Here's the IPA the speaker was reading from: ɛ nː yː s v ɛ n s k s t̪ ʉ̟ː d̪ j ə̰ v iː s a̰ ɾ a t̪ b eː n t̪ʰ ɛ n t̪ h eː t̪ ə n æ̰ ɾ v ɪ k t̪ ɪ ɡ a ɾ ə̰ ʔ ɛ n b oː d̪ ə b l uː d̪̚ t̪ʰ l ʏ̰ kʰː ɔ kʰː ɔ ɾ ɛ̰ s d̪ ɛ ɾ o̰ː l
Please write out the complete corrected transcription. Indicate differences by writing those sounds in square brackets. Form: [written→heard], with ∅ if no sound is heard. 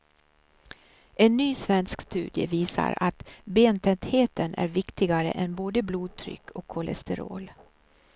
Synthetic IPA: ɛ nː yː s v ɛ n s k s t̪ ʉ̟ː d̪ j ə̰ v iː s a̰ ɾ a t̪ b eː n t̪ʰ ɛ n t̪ h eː t̪ ə n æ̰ ɾ v ɪ k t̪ ɪ ɡ a ɾ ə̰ ʔ ɛ n b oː d̪ ə b l uː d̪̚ t̪ʰ [l→ɾ] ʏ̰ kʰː ɔ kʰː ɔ [ɾ→l] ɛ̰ s [d̪→t̪] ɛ ɾ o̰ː l